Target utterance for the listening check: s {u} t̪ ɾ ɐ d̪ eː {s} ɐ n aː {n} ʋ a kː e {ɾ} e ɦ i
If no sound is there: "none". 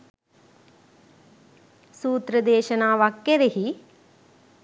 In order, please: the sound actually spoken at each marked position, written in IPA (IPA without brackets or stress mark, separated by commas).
uː, ʃ, none, ɾ